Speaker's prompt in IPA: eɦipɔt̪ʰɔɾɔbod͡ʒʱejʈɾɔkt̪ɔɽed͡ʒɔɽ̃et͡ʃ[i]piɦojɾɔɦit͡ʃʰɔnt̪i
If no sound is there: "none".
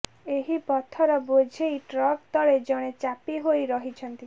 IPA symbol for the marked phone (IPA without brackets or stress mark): a